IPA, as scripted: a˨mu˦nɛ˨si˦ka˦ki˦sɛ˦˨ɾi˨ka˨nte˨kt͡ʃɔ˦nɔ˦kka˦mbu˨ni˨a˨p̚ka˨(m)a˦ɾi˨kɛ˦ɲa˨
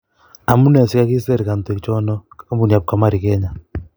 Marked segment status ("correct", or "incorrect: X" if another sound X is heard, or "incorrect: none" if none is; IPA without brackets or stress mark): correct